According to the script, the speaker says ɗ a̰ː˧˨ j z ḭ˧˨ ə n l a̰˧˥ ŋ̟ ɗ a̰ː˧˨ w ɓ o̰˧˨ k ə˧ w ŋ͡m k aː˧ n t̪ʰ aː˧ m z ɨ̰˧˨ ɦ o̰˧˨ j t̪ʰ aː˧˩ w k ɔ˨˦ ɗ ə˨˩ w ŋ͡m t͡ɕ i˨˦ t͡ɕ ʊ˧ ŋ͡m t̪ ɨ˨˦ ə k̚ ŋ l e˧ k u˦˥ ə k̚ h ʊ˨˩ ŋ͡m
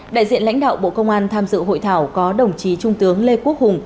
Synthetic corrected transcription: ɗ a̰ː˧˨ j z ḭ˧˨ ə n l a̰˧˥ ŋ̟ ɗ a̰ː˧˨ w ɓ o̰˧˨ k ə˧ w ŋ͡m ʔ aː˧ n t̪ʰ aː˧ m z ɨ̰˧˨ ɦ o̰˧˨ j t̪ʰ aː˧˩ w k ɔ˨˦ ɗ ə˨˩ w ŋ͡m t͡ɕ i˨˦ t͡ɕ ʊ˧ ŋ͡m t̪ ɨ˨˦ ə ŋ l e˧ k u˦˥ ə k̚ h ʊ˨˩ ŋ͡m

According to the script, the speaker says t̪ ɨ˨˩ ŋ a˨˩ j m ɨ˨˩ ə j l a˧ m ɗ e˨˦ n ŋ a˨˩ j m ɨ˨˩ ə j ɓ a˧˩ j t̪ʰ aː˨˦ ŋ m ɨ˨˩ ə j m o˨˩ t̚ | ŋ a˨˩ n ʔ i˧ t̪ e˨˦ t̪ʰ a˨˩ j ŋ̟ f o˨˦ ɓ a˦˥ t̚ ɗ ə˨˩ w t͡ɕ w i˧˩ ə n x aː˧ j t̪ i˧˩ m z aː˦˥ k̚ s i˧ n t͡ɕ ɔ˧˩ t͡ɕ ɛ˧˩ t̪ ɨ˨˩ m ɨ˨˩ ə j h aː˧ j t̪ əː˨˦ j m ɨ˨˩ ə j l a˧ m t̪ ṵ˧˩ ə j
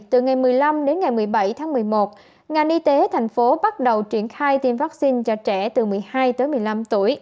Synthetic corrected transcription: t̪ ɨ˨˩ ŋ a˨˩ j m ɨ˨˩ ə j l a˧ m ɗ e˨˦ n ŋ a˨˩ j m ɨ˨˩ ə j ɓ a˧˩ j t̪ʰ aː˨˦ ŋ m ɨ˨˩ ə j m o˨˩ t̚ | ŋ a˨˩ n ʔ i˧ t̪ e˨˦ t̪ʰ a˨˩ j ŋ̟ f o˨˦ ɓ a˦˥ t̚ ɗ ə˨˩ w t͡ɕ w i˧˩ ə n x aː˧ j t̪ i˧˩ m v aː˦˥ k̚ s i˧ n t͡ɕ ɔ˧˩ t͡ɕ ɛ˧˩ t̪ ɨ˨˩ m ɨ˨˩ ə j h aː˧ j t̪ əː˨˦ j m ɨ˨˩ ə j l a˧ m t̪ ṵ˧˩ ə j

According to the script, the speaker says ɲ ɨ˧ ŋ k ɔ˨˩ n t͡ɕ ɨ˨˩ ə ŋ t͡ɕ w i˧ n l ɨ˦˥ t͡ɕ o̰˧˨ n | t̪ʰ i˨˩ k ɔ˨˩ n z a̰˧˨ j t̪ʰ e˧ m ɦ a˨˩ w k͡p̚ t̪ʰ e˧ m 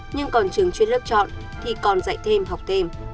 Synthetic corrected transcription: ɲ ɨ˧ ŋ k ɔ˨˩ n t͡ɕ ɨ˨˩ ə ŋ t͡ɕ w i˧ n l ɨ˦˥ t͡ɕ ɔ̰˧˨ n | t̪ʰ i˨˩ k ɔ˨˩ n z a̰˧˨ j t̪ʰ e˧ m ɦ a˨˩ w k͡p̚ t̪ʰ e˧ m

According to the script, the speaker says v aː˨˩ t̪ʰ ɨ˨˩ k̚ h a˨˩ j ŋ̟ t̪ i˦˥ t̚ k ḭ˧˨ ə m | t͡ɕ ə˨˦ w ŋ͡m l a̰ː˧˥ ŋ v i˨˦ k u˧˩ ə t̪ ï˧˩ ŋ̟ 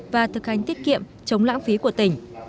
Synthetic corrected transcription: v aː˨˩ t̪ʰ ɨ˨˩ k̚ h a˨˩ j ŋ̟ t̪ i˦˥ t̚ k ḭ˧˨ ə m | t͡ɕ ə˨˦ w ŋ͡m l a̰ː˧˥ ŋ f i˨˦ k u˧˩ ə t̪ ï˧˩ ŋ̟

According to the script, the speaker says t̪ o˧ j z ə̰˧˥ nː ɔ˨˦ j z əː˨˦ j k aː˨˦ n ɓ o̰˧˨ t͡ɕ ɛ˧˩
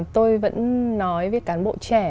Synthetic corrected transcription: t̪ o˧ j v ə̰˧˥ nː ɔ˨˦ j v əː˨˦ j k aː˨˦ n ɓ o̰˧˨ t͡ɕ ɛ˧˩

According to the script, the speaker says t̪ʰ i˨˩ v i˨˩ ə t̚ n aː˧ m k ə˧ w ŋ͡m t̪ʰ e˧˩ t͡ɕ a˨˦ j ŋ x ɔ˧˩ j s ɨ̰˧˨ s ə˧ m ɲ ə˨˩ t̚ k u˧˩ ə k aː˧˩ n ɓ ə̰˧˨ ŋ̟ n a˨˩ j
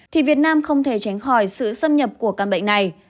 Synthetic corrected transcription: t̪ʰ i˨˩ v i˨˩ ə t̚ n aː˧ m x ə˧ w ŋ͡m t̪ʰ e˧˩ t͡ɕ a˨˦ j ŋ x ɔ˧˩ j s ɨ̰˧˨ s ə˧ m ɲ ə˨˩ p̚ k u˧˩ ə k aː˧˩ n ɓ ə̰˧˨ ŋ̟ n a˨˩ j

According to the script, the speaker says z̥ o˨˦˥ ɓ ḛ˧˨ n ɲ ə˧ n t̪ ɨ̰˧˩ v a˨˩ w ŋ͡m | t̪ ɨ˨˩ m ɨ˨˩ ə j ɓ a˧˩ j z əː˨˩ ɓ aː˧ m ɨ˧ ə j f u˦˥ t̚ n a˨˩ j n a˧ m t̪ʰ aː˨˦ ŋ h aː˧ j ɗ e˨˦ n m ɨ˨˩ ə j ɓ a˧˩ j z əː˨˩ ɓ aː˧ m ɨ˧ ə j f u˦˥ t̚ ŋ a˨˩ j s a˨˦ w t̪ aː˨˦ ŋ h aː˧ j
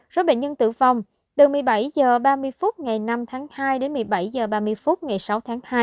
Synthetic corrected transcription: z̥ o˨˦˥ ɓ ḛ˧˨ n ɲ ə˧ n t̪ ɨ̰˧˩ v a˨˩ w ŋ͡m | t̪ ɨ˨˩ m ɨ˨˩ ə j ɓ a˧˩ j z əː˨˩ ɓ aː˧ m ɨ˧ ə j f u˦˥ t̚ ŋ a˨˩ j n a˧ m t̪ʰ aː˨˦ ŋ h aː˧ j ɗ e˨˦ n m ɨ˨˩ ə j ɓ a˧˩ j z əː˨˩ ɓ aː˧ m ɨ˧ ə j f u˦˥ t̚ ŋ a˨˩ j s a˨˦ w t̪ʰ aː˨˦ ŋ h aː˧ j

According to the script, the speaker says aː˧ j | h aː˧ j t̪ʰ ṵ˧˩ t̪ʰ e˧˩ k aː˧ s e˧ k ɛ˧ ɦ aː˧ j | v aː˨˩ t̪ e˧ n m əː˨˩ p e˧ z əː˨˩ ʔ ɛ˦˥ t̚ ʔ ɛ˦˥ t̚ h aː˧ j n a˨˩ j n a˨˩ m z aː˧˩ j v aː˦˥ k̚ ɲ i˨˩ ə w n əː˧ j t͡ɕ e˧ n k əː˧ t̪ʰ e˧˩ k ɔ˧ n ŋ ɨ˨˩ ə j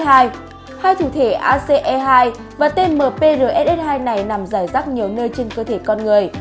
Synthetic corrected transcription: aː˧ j | h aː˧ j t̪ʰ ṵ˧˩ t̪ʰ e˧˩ ʔ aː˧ s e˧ ʔ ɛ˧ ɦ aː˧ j | v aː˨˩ t̪ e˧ n m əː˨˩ p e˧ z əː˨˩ ʔ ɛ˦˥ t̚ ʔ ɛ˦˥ t̚ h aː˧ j n a˨˩ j n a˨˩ m z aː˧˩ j z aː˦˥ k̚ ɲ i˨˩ ə w n əː˧ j t͡ɕ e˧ n k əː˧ t̪ʰ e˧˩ k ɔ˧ n ŋ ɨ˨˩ ə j

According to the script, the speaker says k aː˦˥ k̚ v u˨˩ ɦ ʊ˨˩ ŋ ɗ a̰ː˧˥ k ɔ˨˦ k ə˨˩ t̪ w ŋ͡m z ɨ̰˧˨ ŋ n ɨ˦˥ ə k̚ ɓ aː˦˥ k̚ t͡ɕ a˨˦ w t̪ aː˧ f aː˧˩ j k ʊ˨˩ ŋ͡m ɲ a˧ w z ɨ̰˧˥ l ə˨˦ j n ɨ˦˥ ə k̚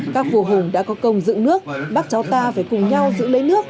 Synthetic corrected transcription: k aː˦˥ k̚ v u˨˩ ɦ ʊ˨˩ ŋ ɗ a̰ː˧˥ k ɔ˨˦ k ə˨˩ w ŋ͡m z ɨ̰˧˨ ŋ n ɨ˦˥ ə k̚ ɓ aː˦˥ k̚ t͡ɕ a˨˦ w t̪ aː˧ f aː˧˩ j k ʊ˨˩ ŋ͡m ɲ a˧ w z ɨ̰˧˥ l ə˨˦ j n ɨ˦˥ ə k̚

